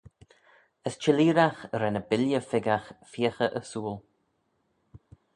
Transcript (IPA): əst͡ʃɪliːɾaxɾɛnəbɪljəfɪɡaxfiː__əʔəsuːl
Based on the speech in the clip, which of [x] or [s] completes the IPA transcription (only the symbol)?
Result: x